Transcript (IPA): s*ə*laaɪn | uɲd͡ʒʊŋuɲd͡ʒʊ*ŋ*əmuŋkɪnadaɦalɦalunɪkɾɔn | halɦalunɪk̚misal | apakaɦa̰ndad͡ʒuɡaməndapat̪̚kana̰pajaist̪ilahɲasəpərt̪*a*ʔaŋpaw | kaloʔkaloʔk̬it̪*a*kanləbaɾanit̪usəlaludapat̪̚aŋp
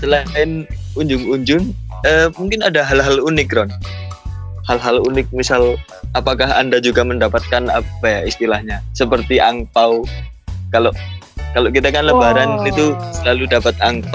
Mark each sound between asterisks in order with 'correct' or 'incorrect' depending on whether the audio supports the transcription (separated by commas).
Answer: correct, correct, incorrect, correct